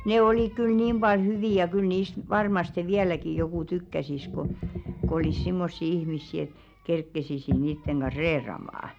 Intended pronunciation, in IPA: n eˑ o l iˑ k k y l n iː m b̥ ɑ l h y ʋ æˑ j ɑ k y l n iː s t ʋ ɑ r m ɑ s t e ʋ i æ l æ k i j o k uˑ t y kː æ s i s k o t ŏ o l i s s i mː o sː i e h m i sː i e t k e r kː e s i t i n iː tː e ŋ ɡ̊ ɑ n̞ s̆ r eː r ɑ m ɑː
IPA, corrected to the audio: n eˑ o l iˑ k k y l n iː m b̥ ɑ l h y ʋ iˑ j ɑ k y l n iː s t ʋ ɑ r m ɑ s t e ʋ i æ l æ k i j o k uˑ t y kː æ s i s k o k ŏ o l i s s i mː o sː i i h m i sː i e t k e r kː e s i s i n iː tː e ŋ ɡ̊ ɑ n̞ s̆ r eː r ɑ m ɑː